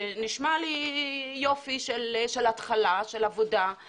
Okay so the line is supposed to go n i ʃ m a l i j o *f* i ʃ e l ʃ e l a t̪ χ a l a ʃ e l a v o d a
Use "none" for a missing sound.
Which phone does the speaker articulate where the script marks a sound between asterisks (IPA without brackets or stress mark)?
f